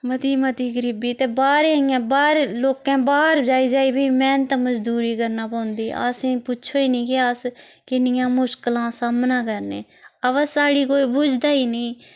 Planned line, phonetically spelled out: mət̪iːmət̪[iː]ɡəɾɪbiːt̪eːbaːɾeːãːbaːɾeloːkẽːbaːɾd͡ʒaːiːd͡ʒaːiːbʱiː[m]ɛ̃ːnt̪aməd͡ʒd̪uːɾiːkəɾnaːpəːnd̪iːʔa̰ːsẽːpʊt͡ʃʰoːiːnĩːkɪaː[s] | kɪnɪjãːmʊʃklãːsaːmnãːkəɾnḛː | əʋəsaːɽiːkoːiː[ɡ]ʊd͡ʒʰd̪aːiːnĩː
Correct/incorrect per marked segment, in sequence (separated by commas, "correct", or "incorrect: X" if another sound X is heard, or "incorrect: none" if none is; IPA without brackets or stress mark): correct, correct, correct, incorrect: b